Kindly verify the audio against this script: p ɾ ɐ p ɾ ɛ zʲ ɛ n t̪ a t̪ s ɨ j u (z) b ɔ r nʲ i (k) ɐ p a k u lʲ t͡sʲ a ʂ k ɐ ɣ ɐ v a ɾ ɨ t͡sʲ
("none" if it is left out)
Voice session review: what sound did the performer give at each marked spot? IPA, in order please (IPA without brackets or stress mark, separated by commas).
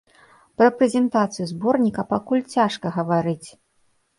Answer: z, k